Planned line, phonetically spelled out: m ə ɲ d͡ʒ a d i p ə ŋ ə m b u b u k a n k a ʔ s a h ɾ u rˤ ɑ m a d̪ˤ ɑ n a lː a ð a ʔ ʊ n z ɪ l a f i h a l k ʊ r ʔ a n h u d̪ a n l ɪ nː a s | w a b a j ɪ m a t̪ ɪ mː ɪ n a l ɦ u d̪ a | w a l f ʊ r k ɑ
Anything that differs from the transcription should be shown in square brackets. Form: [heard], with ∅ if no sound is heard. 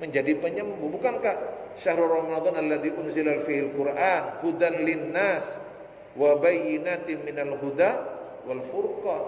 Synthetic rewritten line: m ə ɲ d͡ʒ a d i p ə [ɲ] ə m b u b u k a n k a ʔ [ʃ] a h ɾ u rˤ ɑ m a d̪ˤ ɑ n a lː a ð [i] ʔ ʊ n z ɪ l a f i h a l k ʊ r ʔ a n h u d̪ a n l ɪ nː a s | w a b a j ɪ [n] a t̪ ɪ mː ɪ n a l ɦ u d̪ a | w a l f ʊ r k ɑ

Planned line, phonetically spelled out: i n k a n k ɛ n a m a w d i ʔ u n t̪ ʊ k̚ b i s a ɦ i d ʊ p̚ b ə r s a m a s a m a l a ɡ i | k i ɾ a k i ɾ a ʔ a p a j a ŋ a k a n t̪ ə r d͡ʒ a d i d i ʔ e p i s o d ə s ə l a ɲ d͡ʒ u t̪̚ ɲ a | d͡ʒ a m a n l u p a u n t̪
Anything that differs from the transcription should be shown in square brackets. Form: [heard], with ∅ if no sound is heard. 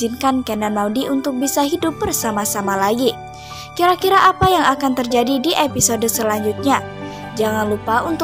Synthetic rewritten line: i n k a n k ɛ n a m a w d i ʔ u n t̪ ʊ k̚ b i s a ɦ i d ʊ p̚ b ə r s a m a s a m a l a ɡ i | k i ɾ a k i ɾ a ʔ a p a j a ŋ a k a n t̪ ə r d͡ʒ a d i d i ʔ e p i s o d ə s ə l a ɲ d͡ʒ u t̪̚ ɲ a | d͡ʒ a [ŋ] a n l u p a u n t̪

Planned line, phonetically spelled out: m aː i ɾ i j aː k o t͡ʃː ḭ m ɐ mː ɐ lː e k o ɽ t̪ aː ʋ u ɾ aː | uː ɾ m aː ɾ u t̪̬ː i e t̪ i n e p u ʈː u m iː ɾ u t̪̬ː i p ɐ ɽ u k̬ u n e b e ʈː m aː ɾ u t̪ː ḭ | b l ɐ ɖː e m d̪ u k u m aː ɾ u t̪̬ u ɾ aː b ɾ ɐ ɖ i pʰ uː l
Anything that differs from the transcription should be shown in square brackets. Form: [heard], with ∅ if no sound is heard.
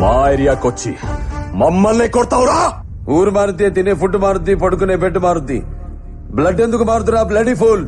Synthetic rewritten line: m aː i ɾ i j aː k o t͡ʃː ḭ m ɐ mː ɐ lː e k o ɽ t̪ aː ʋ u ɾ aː | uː ɾ m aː ɾ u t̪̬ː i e t̪ i n e p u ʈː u m [aː] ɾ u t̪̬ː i p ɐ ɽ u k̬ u n e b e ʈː m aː ɾ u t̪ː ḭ | b l ɐ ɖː e [n] d̪ u k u m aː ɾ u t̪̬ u ɾ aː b [l] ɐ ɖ i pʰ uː l

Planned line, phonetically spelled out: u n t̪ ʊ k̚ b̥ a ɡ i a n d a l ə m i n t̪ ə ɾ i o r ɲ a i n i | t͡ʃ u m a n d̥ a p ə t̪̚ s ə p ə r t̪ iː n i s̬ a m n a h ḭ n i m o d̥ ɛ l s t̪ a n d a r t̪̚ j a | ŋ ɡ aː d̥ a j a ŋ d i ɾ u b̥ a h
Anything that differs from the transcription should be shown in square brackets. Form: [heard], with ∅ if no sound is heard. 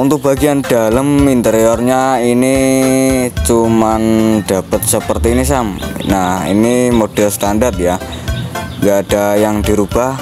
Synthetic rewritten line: u n t̪ ʊ k̚ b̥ a ɡ i a n d a l ə m i n t̪ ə ɾ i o r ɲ a i n i | t͡ʃ u m a n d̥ a p ə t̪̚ s ə p ə r t̪ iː n i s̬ a m n a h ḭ n i m o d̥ ɛ l s t̪ a n d a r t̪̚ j a | ŋ ɡ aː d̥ a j a ŋ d i ɾ u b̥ a h

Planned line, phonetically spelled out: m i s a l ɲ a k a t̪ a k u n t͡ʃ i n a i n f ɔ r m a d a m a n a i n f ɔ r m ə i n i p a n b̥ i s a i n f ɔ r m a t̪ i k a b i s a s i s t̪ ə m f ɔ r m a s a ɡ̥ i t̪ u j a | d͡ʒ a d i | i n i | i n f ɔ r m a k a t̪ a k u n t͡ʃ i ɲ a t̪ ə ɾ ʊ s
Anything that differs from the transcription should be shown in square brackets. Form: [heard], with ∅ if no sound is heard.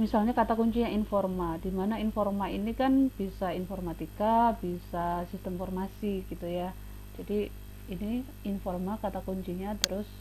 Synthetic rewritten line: m i s a l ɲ a k a t̪ a k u [ɲ] t͡ʃ i [ɲ] a i n f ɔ r m a d [i] m a n a i n f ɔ r m [a] i n i [k] a n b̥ i s a i n f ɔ r m a t̪ i k a b i s a s i s t̪ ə m f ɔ r m a s [i] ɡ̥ i t̪ u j a | d͡ʒ a d i | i n i | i n f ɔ r m a k a t̪ a k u [ɲ] t͡ʃ i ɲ a t̪ ə ɾ ʊ s

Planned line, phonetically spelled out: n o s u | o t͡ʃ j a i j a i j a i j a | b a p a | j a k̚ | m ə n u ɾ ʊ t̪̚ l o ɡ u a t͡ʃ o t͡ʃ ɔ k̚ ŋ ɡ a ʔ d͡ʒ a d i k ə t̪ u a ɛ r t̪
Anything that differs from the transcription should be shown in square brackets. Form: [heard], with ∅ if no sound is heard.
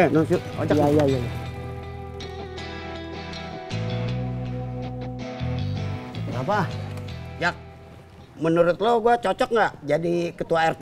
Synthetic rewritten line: n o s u | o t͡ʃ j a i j a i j a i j a | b a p a | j a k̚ | m ə n u ɾ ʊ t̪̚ l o ɡ u a t͡ʃ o t͡ʃ ɔ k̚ ŋ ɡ a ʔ d͡ʒ a d i k ə t̪ u a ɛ r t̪

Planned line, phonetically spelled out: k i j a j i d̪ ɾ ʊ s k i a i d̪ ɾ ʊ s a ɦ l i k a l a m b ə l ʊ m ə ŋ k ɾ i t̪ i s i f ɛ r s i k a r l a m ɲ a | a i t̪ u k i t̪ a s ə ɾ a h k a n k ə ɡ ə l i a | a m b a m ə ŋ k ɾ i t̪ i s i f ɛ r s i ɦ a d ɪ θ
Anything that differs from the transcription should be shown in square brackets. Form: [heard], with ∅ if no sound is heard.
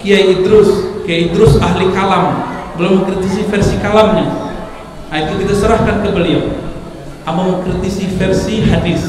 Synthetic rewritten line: k i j a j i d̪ ɾ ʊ s k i a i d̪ ɾ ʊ s a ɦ l i k a l a m b ə l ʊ m ə ŋ k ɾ i t̪ i s i f ɛ r s i k a [∅] l a m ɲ a | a i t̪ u k i t̪ a s ə ɾ a h k a n k ə [b] ə l i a | a m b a m ə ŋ k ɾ i t̪ i s i f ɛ r s i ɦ a d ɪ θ

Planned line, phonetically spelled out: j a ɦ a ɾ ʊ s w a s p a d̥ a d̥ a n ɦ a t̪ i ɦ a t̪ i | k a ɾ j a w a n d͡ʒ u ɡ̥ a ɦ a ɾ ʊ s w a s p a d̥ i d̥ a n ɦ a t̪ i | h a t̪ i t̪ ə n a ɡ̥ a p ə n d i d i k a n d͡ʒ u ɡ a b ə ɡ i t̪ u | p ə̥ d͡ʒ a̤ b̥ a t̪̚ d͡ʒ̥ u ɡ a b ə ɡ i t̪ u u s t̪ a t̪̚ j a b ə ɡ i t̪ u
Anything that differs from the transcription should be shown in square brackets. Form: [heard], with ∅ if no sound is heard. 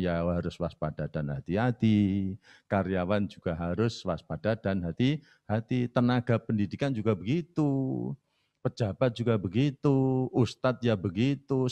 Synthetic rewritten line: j a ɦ a ɾ ʊ s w a s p a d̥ a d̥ a n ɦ a t̪ i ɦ a t̪ i | k a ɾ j a w a n d͡ʒ u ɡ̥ a ɦ a ɾ ʊ s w a s p a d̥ [a] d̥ a n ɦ a t̪ i | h a t̪ i t̪ ə n a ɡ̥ a p ə n d i d i k a n d͡ʒ u ɡ a b ə ɡ i t̪ u | p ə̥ d͡ʒ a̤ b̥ a t̪̚ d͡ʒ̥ u ɡ a b ə ɡ i t̪ u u s t̪ a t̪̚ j a b ə ɡ i t̪ u

